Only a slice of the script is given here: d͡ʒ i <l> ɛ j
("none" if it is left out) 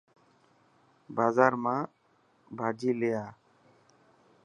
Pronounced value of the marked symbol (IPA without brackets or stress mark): l